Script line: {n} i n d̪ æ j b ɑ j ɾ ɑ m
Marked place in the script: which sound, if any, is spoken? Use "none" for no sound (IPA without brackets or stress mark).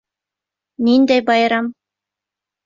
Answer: n